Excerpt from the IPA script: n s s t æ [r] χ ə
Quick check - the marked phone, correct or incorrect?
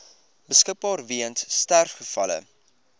correct